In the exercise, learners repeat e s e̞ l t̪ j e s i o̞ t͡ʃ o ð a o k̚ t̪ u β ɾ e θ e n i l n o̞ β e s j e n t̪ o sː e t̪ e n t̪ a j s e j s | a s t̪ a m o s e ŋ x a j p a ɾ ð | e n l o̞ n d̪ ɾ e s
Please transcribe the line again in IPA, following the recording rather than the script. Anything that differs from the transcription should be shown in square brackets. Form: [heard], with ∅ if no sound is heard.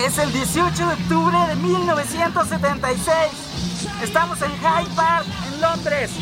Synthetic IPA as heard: e s e̞ l [d̪] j e s i o̞ t͡ʃ o ð [e] o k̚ t̪ u β ɾ e [ð] e [m] i l n o̞ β e s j e n t̪ o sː e t̪ e n t̪ a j s e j s | [e] s t̪ a m o s e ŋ x a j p a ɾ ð | e n l o̞ n d̪ ɾ e s